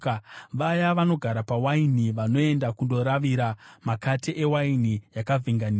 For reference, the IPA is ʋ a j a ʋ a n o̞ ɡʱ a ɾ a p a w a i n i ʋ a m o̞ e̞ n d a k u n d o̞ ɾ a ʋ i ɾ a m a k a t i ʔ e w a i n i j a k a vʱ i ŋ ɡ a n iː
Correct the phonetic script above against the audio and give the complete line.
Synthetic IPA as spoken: ʋ a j a ʋ a n o̞ ɡʱ a ɾ a p a w a i n i ʋ a n o̞ e̞ n d a k u n d o̞ ɾ a ʋ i ɾ a m a k a t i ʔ e w a i n i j a k a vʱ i ŋ ɡ a n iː